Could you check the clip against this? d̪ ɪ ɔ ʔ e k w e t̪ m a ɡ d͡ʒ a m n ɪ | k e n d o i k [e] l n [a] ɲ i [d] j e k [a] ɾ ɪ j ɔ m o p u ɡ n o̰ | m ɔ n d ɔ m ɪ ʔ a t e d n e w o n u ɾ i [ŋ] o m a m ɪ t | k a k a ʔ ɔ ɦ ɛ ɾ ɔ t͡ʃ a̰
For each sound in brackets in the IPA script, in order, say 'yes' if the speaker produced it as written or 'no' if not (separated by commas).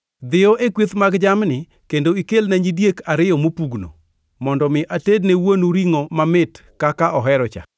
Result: yes, yes, yes, yes, yes